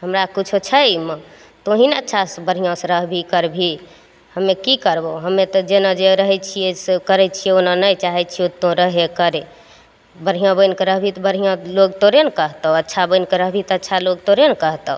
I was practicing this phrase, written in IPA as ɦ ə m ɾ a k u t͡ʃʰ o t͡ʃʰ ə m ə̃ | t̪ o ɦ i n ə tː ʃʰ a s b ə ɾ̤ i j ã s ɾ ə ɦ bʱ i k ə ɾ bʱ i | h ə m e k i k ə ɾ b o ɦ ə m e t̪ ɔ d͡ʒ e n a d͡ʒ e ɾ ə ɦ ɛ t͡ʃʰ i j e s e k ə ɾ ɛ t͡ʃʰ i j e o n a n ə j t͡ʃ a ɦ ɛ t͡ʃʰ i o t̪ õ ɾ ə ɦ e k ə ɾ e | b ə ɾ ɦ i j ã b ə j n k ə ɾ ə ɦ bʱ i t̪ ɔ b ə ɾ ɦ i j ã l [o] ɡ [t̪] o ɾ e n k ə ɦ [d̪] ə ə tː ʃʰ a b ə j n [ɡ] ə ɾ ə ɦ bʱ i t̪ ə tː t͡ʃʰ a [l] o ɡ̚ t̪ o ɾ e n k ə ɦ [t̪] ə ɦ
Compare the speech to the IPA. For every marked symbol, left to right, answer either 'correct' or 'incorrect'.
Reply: correct, correct, incorrect, incorrect, correct, correct

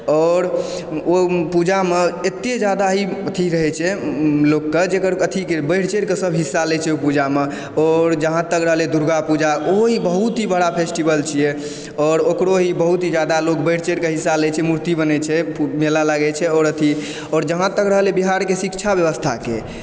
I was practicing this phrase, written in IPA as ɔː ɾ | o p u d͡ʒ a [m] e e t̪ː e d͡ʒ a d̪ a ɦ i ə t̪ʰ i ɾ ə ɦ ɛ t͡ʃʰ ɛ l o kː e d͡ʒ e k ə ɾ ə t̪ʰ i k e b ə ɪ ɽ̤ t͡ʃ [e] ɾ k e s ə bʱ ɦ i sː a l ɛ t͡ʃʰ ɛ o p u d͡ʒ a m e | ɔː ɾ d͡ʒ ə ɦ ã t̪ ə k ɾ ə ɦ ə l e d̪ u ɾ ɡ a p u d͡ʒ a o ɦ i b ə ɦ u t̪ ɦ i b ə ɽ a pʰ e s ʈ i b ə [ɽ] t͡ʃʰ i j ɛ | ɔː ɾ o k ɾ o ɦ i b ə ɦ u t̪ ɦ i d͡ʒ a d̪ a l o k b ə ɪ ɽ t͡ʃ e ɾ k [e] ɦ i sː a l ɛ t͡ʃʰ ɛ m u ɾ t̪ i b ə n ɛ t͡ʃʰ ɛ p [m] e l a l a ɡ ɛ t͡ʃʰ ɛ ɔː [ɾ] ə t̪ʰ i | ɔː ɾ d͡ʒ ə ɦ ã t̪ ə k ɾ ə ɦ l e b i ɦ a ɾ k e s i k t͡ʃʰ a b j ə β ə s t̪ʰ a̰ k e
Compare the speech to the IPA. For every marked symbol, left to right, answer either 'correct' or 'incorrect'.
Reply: correct, correct, incorrect, correct, correct, correct

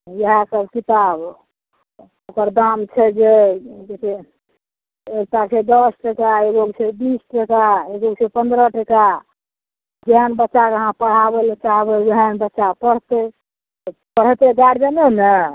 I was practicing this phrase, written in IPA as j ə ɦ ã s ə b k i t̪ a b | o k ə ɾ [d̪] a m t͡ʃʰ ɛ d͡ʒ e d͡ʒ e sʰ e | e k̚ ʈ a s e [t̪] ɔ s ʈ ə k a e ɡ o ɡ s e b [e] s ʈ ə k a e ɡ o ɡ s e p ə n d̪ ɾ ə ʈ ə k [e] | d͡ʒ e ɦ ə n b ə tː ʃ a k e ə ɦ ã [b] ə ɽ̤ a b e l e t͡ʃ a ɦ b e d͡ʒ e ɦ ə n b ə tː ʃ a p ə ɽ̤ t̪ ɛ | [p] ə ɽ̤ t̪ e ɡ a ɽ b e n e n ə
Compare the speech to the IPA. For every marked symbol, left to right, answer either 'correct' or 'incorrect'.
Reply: correct, incorrect, incorrect, incorrect, incorrect, correct

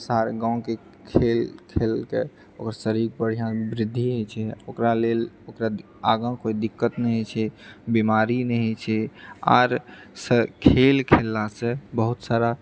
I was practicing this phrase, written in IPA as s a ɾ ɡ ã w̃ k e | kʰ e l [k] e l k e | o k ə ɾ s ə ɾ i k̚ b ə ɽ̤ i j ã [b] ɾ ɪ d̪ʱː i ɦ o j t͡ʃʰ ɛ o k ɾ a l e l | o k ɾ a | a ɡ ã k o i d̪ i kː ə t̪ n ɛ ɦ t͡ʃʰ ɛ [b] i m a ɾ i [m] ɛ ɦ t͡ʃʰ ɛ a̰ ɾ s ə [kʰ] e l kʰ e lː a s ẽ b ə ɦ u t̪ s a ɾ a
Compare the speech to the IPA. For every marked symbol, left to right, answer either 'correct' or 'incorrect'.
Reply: incorrect, correct, correct, incorrect, correct

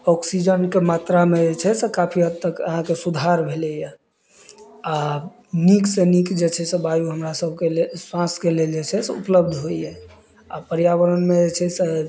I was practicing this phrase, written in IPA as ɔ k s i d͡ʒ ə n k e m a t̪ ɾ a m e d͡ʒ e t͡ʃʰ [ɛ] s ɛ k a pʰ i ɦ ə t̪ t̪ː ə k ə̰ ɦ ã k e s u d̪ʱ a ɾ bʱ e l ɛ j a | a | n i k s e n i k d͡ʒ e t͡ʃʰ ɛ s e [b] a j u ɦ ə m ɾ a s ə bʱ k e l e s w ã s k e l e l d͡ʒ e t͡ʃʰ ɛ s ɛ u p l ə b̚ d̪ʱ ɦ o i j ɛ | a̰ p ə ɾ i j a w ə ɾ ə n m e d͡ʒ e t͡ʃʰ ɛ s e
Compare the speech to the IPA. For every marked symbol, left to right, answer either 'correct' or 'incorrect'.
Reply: correct, correct

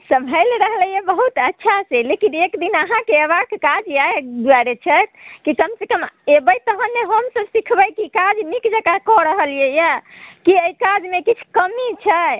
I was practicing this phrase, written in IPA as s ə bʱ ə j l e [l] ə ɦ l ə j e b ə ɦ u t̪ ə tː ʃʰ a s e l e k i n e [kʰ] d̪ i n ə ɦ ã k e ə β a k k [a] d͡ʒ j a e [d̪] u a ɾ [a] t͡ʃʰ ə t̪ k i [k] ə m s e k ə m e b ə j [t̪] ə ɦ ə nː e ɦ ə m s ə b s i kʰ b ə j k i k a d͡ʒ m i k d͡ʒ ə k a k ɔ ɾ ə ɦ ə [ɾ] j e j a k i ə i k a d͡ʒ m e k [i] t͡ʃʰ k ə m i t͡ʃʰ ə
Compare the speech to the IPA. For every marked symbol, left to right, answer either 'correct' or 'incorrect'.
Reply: incorrect, incorrect, correct, correct, incorrect, correct, correct, incorrect, correct

